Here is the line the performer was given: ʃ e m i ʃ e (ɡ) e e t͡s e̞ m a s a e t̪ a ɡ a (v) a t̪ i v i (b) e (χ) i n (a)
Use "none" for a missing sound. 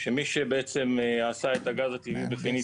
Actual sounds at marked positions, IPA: b, z, b, f, i

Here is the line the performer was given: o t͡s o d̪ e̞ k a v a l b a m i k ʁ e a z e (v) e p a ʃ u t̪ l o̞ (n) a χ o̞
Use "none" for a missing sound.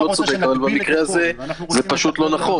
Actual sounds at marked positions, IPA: z, n

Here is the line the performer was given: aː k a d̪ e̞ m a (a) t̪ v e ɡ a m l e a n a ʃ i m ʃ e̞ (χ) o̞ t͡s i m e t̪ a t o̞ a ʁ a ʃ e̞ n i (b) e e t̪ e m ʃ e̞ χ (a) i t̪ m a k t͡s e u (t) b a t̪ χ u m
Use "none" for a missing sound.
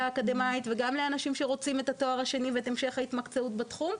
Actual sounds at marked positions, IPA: i, ʁ, v, a, t

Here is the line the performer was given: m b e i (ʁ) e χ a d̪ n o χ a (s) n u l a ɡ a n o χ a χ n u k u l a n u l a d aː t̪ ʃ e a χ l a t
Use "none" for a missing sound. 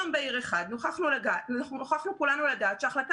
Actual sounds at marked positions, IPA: ʁ, χ

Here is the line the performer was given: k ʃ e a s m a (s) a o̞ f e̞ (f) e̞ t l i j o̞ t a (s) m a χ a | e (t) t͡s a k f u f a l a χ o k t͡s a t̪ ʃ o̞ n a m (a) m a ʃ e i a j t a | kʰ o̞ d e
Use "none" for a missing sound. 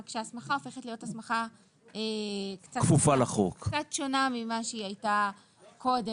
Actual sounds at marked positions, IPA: χ, χ, s, k, i

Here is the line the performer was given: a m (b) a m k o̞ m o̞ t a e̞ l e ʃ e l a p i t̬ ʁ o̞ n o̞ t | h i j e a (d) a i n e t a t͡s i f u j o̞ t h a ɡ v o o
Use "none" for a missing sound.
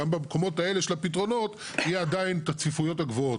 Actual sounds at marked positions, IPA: b, d

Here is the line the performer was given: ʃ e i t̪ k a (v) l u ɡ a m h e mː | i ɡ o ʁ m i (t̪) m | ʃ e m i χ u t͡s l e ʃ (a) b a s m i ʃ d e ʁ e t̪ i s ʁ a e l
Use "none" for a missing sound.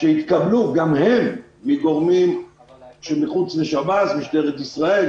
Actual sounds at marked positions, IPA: b, none, a

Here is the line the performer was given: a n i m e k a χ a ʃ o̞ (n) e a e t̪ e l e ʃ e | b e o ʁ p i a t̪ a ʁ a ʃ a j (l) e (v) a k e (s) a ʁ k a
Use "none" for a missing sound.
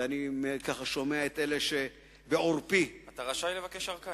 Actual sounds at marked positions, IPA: m, l, v, ʃ

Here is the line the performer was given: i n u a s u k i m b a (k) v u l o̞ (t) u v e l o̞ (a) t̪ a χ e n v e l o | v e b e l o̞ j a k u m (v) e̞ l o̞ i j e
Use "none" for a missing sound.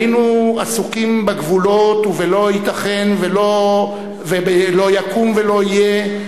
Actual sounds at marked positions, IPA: ɡ, t, i, v

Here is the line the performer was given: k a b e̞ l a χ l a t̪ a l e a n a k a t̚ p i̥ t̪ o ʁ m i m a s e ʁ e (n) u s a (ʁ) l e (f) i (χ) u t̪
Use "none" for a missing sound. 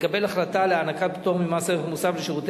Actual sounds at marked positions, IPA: m, v, ʃ, ʁ

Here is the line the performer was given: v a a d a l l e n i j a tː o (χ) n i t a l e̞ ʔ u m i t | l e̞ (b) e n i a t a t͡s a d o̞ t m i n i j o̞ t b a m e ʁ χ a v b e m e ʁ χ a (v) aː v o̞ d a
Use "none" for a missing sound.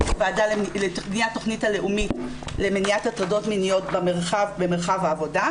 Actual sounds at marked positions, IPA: χ, m, v

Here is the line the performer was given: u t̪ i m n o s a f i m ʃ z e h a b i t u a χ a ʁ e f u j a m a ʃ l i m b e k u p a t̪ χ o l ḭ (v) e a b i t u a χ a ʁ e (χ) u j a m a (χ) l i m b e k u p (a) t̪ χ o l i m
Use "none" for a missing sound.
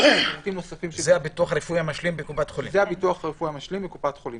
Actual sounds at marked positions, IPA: z, f, ʃ, a

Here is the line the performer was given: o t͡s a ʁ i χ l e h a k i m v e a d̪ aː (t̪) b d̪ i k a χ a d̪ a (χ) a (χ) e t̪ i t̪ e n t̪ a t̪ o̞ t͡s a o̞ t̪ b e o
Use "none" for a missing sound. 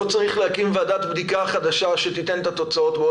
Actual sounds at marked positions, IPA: t̪, ʃ, ʃ

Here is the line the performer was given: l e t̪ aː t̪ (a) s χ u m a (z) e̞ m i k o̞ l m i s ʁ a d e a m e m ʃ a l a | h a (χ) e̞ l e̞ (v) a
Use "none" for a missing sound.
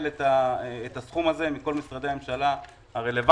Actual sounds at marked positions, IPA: a, z, ʁ, v

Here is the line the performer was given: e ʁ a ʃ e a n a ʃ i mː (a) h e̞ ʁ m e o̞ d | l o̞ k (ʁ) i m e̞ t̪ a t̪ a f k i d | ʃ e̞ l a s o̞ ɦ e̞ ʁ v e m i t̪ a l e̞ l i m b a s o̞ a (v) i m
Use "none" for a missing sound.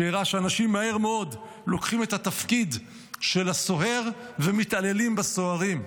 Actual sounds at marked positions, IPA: a, χ, ʁ

